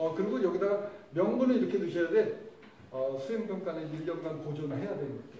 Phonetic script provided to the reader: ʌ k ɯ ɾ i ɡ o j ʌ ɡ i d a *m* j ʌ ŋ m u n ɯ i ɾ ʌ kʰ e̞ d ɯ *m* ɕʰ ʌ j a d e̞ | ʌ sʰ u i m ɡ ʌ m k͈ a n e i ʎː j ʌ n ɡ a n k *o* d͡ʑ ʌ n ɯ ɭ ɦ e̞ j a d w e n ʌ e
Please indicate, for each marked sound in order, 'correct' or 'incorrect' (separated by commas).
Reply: correct, incorrect, correct